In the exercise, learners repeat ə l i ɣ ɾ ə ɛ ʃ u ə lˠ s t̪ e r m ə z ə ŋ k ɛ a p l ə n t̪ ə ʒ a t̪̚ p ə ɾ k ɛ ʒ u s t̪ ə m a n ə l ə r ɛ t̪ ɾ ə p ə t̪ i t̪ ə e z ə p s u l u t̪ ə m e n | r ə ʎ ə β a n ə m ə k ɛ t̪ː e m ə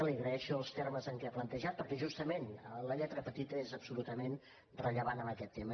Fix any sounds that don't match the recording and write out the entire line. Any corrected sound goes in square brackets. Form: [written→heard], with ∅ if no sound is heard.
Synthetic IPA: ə l i ɣ ɾ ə ɛ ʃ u ə lˠ s t̪ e r m ə z ə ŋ k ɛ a p l ə n t̪ ə ʒ a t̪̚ p ə ɾ k ɛ ʒ u s t̪ ə m [a→e] n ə l ə [r→ʎ] ɛ t̪ ɾ ə p ə t̪ i t̪ ə e z ə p s u l u t̪ ə m e n | r ə ʎ ə β a n ə m ə k ɛ t̪ː e m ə